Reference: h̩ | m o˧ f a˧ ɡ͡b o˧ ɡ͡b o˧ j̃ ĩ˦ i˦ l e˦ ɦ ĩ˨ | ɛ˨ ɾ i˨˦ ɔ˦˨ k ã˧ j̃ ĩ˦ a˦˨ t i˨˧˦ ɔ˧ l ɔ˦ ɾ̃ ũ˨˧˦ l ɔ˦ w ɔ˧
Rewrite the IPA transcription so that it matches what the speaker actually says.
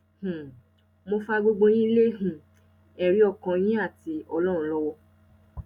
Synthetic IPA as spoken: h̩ | m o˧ f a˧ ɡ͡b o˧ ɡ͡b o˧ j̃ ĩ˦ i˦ l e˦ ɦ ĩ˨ | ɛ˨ ɾ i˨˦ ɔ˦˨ k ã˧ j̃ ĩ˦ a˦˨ t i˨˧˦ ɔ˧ l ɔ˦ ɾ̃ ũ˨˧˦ l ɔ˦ w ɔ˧